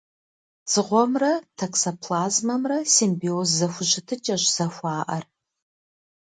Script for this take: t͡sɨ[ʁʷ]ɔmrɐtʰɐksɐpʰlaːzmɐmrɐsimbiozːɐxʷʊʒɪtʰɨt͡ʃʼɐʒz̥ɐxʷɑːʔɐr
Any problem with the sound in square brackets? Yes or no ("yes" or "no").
no